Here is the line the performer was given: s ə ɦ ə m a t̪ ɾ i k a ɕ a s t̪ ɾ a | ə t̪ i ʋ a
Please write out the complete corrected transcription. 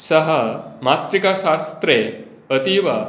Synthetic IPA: s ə ɦ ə m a t̪ ɾ i k a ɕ a s t̪ ɾ e | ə t̪ i ʋ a